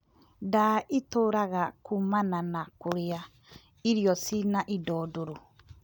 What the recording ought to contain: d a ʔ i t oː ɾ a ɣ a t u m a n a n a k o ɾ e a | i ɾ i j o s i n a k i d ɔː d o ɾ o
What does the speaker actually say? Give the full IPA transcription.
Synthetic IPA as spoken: d a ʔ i t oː ɾ a ɣ a k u m a n a n a k o ɾ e a | i ɾ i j ɔ s i n a ʔ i d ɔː d o ɾ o